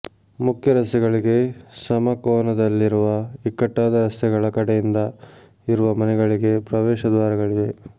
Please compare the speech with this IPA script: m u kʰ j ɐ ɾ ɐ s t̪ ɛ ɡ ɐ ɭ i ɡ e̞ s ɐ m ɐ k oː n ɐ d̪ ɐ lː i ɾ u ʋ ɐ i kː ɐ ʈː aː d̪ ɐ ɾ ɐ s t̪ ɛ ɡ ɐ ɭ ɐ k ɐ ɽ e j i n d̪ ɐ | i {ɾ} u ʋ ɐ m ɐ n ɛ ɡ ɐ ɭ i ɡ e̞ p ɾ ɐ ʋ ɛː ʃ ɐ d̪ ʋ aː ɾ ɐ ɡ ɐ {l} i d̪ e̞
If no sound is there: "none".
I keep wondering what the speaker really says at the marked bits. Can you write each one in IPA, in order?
ɾ, ɭ

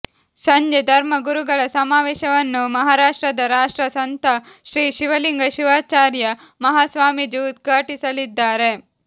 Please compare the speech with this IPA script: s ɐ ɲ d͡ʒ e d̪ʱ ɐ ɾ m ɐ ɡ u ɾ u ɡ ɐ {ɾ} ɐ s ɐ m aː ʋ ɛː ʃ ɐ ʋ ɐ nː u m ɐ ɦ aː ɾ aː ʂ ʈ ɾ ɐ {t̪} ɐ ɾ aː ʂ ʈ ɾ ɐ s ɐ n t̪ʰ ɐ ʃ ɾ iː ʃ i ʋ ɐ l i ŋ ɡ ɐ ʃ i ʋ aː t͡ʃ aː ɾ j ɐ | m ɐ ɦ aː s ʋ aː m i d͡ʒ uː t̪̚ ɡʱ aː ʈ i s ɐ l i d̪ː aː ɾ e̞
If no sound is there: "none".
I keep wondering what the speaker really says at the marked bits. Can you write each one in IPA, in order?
ɭ, d̪

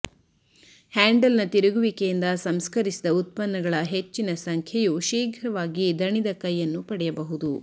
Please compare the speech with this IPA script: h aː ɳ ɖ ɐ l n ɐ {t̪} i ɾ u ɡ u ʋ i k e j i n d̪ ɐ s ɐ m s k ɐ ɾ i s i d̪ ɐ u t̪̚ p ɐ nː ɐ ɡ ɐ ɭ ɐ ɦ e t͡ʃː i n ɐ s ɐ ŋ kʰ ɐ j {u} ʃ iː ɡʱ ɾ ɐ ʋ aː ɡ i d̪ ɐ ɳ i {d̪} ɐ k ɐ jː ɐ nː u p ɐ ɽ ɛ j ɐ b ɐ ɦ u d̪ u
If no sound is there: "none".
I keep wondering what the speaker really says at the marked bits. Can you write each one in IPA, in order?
t̪, u, d̪

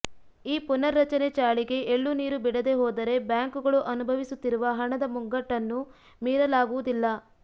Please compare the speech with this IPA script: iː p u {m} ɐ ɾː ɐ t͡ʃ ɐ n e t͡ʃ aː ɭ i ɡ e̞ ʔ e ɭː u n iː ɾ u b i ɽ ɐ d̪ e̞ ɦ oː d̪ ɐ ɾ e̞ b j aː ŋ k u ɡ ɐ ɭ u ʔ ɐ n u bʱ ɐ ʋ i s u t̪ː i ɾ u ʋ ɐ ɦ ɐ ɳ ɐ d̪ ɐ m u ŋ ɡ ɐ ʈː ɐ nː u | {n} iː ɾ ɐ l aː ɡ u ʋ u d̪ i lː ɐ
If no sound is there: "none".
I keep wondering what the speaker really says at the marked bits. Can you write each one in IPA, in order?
n, m

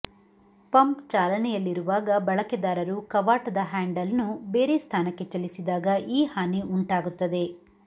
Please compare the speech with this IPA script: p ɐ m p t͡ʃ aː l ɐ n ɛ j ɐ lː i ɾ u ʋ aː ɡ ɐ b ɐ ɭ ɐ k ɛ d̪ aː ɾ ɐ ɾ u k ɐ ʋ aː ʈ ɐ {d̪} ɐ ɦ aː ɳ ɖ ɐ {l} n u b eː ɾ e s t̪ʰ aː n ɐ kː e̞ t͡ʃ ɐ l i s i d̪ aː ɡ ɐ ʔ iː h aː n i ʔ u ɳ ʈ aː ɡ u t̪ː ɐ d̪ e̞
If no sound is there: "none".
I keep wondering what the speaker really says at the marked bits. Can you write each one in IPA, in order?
d̪, l

